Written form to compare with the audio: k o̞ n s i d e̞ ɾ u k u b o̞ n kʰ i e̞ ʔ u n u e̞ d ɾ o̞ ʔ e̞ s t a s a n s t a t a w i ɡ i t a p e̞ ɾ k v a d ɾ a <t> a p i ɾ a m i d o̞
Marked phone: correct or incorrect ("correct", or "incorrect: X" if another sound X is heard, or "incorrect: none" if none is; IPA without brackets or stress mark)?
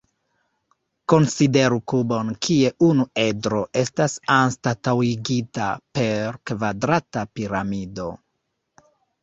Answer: correct